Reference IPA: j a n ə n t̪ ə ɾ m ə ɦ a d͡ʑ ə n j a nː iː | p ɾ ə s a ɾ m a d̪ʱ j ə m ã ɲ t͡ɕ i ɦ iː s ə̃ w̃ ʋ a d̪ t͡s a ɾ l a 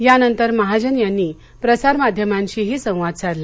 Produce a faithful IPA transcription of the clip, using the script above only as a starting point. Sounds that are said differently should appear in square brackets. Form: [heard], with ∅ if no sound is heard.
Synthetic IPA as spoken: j a n ə n t̪ ə ɾ m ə ɦ a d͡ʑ ə n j a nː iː | p ɾ ə s a ɾ m a d̪ʱ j ə m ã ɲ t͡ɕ i ɦ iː s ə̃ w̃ ʋ a d̪ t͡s a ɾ l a

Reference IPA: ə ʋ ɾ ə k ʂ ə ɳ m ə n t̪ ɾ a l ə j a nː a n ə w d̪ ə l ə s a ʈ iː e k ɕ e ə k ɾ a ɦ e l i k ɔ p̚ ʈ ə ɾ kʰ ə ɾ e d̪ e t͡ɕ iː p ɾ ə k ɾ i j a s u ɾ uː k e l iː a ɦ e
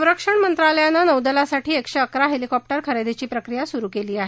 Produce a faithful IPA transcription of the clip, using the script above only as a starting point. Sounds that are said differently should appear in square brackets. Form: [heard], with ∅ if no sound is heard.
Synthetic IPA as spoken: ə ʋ ɾ ə k ʂ ə ɳ m ə n t̪ ɾ a l ə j a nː a n ə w d̪ ə l [a] s a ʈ iː e k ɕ e ə k ɾ a ɦ e l i k ɔ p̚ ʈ ə ɾ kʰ ə ɾ e d̪ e t͡ɕ iː p ɾ ə k ɾ i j a s u ɾ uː k e l iː a ɦ e

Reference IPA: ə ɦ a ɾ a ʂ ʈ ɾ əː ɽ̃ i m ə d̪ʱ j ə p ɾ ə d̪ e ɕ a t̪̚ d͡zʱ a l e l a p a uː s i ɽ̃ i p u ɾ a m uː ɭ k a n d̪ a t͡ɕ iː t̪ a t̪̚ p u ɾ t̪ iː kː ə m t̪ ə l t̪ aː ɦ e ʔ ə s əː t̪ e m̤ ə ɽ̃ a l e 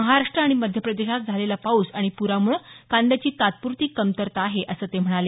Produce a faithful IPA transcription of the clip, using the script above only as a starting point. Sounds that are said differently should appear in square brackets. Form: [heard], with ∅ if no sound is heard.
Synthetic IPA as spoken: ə ɦ a ɾ a ʂ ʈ ɾ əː ɽ̃ i m ə d̪ʱ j ə p ɾ ə d̪ e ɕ a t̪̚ d͡zʱ a l e l a p a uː s [a] ɽ̃ i p u ɾ a m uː ɭ k a n d̪ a t͡ɕ iː t̪ a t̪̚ p u ɾ t̪ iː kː ə m t̪ ə [ɾ] t̪ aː ɦ e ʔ ə s əː t̪ e m̤ ə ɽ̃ a l e

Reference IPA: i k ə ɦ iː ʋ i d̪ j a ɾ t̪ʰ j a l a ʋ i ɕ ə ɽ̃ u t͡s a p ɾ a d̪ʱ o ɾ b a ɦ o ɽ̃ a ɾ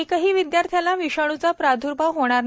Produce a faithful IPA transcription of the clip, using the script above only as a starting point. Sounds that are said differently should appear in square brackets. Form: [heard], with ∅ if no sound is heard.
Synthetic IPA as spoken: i k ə ɦ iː ʋ i d̪ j a ɾ t̪ʰ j a l a ʋ i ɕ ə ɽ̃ u t͡s a p ɾ a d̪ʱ [u] ɾ b a ɦ o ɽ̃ a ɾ

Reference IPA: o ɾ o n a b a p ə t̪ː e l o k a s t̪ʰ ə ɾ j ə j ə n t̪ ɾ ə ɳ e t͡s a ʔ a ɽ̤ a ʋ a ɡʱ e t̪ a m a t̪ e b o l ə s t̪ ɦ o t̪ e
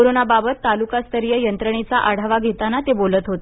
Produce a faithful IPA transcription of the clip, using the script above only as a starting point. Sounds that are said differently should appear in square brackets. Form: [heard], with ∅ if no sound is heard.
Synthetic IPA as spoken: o ɾ o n a b a [b] ə t̪ː [a] l [u] k a s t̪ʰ ə ɾ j ə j ə n t̪ ɾ ə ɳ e t͡s a ʔ a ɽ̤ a ʋ a ɡʱ e t̪ a [n] a t̪ e b o l ə [∅] t̪ ɦ o t̪ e

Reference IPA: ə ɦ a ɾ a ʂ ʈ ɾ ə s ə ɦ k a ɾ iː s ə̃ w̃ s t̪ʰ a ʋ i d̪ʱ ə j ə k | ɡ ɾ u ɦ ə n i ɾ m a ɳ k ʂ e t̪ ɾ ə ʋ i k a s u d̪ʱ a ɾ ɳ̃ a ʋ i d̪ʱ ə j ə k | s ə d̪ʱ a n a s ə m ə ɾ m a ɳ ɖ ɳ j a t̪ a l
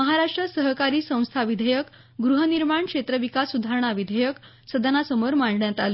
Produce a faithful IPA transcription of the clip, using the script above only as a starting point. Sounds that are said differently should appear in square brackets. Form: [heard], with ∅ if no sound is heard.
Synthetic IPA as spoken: ə ɦ a ɾ a ʂ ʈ ɾ ə s ə ɦ k a ɾ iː s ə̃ w̃ s t̪ʰ a ʋ i d̪ʱ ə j ə k | ɡ ɾ u ɦ ə n i ɾ m a ɳ k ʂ e t̪ ɾ ə ʋ i k a s u d̪ʱ a ɾ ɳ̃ a ʋ i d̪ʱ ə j ə k | s ə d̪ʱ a n a s ə m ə ɾ m a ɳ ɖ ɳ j a t̪ a l

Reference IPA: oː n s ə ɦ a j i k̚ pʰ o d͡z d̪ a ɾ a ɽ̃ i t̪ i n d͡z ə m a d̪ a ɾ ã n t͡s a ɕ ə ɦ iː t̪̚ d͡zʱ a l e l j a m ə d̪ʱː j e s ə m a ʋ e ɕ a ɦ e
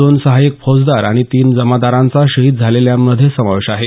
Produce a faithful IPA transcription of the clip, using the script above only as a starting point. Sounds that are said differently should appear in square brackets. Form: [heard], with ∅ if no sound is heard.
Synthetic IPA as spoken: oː n s ə ɦ a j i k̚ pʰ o d͡z d̪ a ɾ a ɽ̃ i t̪ [iː] n d͡z ə m a d̪ a ɾ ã n t͡s a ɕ ə ɦ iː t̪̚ d͡zʱ a l e l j a m ə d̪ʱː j e s ə m a ʋ e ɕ a ɦ e

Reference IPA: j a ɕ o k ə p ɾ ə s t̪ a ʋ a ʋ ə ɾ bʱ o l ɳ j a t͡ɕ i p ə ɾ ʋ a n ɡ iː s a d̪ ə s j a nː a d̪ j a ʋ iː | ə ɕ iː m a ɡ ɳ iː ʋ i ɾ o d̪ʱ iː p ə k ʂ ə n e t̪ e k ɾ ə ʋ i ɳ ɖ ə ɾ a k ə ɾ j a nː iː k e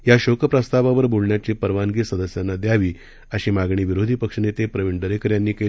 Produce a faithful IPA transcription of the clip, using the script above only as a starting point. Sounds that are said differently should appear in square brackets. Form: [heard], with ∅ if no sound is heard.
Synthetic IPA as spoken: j a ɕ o k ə p ɾ ə s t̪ a ʋ a ʋ ə ɾ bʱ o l ɳ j a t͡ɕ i p ə ɾ ʋ a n ɡ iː s [ə] d̪ ə s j a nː a d̪ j a ʋ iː | ə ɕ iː m a ɡ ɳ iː ʋ i ɾ o d̪ʱ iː p ə k ʂ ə n e t̪ e [p] ɾ ə ʋ i ɳ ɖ ə ɾ [e] k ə ɾ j a nː iː k e

